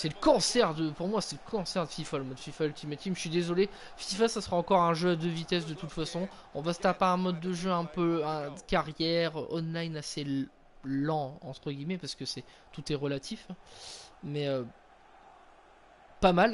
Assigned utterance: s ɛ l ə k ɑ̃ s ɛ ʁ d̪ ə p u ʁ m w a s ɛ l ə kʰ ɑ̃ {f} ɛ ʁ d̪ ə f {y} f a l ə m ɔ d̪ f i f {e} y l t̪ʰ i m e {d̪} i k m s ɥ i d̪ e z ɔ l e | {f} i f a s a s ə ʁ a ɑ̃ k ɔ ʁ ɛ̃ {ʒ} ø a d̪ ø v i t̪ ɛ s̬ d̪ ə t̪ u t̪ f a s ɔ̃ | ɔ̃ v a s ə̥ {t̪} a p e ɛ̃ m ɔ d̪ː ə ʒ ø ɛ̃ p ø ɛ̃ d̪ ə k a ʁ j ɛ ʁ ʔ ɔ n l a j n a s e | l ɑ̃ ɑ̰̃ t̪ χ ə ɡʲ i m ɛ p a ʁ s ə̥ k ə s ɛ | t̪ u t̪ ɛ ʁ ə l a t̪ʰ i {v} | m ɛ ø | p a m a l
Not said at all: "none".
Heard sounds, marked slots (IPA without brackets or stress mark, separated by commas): s, i, a, t̪, f, ʒ, t̪, f